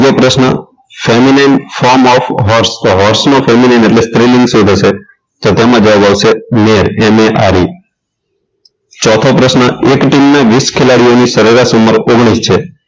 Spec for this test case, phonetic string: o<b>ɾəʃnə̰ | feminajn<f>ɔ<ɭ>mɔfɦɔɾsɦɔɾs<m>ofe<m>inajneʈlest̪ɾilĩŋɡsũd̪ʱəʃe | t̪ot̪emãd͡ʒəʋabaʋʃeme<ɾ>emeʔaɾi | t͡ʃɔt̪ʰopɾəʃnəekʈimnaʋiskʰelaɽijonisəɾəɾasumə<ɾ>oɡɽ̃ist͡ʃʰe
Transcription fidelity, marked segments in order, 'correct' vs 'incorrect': incorrect, correct, incorrect, incorrect, correct, correct, correct

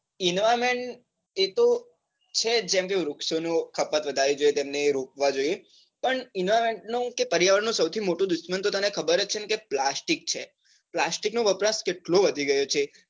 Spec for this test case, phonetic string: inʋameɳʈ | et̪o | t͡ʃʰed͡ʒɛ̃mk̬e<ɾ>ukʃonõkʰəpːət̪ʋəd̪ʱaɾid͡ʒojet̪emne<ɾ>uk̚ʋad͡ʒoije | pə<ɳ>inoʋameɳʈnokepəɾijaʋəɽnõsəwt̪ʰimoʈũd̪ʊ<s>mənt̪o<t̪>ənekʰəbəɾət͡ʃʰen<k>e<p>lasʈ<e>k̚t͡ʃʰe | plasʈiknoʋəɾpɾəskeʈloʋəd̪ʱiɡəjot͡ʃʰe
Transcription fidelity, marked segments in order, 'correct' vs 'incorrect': correct, correct, correct, incorrect, correct, correct, correct, incorrect

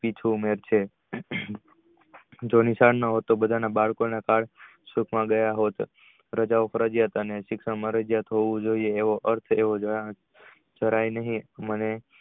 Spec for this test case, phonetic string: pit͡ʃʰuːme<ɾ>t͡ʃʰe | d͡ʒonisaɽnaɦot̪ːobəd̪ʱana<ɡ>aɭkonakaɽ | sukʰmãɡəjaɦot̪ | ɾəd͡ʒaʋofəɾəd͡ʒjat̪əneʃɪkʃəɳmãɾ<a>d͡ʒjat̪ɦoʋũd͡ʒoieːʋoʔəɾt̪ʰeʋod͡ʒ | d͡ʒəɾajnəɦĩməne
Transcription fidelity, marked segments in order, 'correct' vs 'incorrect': correct, incorrect, incorrect

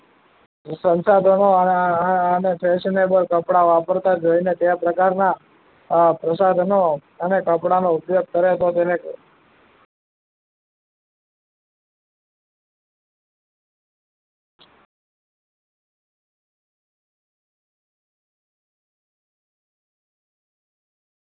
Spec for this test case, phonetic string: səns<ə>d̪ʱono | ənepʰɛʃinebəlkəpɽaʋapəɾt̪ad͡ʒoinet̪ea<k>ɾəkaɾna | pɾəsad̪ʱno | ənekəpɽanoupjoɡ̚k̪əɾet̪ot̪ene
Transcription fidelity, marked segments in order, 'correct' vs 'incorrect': incorrect, incorrect

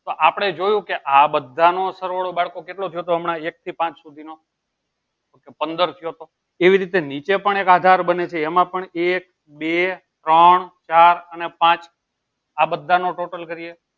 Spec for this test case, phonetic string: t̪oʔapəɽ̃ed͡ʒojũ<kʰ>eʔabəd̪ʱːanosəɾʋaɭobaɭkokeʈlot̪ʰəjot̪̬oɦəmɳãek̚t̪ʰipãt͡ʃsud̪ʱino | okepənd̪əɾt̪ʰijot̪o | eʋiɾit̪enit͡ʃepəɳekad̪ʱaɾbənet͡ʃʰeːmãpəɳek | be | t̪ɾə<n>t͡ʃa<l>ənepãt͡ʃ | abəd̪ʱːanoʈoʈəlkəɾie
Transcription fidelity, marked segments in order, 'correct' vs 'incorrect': incorrect, incorrect, incorrect

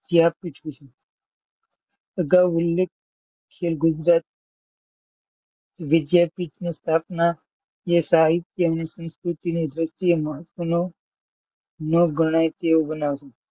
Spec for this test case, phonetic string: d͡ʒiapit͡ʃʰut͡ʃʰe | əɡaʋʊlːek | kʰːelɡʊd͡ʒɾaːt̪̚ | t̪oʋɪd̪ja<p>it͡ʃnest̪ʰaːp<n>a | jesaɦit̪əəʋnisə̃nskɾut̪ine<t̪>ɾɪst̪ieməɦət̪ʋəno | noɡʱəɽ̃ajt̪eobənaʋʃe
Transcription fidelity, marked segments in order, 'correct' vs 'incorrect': correct, correct, incorrect

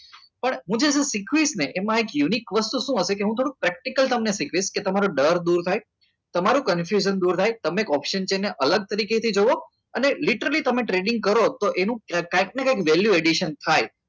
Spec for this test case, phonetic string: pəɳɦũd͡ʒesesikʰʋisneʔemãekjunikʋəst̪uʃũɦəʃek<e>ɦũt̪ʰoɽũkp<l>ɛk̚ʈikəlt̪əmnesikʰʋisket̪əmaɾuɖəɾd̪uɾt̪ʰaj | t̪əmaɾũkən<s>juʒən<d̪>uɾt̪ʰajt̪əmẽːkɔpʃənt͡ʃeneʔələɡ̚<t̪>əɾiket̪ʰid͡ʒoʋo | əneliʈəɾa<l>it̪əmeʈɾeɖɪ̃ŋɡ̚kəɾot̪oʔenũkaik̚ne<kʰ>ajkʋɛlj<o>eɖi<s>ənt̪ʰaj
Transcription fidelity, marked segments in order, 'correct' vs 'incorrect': correct, incorrect, incorrect, correct, correct, correct, incorrect, incorrect, incorrect

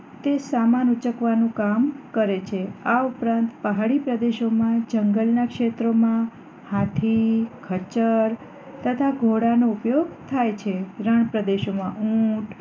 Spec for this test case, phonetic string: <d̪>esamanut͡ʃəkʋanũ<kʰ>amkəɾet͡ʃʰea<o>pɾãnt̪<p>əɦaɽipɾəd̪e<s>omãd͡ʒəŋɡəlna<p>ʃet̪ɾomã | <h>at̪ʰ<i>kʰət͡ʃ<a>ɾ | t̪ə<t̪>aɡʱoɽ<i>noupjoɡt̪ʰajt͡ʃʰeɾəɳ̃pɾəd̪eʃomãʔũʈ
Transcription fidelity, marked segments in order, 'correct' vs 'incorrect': incorrect, incorrect, incorrect, correct, incorrect, incorrect, correct, correct, incorrect, incorrect, incorrect

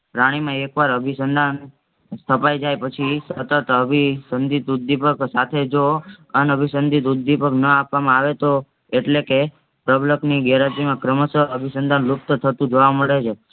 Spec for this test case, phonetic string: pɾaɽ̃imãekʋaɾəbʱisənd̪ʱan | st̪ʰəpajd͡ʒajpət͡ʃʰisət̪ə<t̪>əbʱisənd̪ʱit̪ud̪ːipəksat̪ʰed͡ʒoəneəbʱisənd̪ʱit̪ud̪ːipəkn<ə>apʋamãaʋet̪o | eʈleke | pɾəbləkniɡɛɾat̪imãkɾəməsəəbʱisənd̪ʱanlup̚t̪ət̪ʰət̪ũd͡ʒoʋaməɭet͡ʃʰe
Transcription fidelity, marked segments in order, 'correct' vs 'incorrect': correct, correct

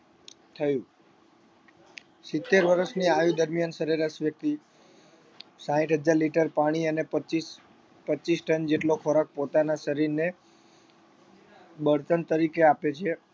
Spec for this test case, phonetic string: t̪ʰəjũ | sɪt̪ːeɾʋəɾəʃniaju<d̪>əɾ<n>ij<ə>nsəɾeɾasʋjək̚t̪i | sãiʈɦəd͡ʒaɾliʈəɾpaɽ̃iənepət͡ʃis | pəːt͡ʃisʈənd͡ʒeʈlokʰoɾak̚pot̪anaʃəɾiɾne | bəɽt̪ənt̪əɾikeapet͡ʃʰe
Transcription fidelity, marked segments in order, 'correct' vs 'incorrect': correct, incorrect, incorrect

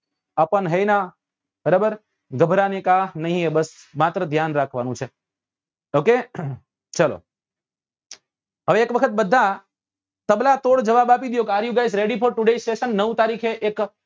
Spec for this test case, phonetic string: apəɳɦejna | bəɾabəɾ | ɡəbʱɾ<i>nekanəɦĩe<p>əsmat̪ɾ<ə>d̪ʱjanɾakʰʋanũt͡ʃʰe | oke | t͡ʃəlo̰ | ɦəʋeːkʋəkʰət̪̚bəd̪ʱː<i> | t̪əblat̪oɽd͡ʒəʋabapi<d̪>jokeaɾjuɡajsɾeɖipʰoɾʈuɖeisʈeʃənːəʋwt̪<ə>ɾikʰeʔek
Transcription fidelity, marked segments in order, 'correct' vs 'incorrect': incorrect, incorrect, correct, incorrect, correct, incorrect

